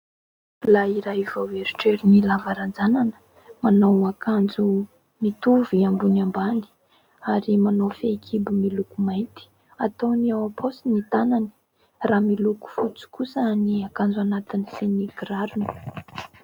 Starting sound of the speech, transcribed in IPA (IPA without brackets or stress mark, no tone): l